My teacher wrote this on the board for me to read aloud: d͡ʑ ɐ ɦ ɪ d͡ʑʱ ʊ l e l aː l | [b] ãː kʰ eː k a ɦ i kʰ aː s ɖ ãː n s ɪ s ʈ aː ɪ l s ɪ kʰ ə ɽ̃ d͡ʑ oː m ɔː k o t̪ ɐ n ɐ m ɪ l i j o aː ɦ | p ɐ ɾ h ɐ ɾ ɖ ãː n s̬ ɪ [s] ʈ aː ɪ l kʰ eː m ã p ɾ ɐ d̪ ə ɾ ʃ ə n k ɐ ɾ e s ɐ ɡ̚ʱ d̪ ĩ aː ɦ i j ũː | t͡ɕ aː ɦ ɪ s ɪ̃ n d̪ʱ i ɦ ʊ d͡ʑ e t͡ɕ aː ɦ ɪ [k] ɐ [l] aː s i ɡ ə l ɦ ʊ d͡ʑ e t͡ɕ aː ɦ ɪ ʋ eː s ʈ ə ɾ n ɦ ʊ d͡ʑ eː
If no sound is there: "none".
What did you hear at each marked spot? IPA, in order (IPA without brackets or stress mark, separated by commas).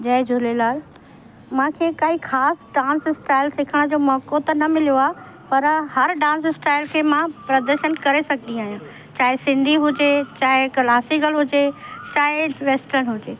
m, s, k, l